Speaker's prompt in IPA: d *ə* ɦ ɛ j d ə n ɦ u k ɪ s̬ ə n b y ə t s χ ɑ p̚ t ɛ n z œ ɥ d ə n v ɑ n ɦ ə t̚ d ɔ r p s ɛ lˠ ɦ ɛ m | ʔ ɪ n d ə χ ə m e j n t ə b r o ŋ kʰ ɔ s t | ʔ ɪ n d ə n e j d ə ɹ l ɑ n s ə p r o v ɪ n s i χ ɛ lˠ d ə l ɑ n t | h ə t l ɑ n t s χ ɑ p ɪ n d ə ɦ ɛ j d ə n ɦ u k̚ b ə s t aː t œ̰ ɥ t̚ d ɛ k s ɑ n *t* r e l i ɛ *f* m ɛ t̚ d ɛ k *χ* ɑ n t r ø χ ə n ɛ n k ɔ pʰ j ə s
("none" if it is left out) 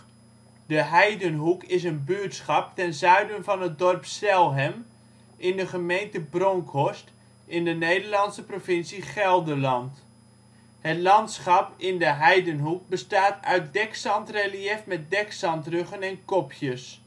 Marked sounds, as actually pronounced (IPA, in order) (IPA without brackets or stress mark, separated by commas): ə, t, f, s